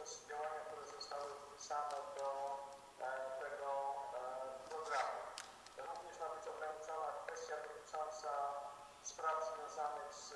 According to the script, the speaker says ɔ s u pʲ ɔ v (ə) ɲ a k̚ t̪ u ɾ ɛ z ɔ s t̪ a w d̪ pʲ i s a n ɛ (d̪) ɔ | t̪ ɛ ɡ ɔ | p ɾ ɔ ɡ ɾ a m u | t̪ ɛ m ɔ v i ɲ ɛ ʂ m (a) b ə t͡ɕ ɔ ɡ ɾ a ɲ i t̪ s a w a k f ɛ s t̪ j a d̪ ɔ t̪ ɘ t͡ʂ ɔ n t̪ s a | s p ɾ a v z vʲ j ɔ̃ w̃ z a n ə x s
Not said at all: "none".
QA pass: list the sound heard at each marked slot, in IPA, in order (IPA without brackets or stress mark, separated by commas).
a, d̪, a